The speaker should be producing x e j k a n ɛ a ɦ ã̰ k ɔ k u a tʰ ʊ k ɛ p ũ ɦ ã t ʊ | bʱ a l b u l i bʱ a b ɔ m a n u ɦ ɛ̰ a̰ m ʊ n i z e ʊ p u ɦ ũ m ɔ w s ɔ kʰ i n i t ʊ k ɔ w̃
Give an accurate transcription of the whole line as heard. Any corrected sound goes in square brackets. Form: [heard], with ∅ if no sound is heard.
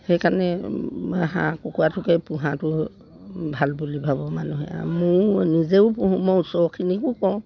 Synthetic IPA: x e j k a n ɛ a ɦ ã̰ k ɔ k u a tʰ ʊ k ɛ p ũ ɦ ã t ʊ | bʱ a l b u l i bʱ a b ɔ m a n u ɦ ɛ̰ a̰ m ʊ n i z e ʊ p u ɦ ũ m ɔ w s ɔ kʰ i n i [k] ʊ k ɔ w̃